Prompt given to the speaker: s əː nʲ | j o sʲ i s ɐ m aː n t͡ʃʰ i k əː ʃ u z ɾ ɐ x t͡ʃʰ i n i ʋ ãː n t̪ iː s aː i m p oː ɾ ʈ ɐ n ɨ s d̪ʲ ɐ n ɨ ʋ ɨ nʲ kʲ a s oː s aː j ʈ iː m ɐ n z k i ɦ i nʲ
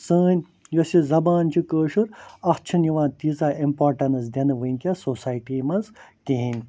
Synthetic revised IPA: s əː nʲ | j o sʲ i z ɐ b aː n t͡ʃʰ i k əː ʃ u ɾ ɐ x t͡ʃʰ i n i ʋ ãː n t̪ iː z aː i m p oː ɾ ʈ ɐ n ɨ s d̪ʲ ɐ n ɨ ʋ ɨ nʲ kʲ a s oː s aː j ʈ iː m ɐ n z k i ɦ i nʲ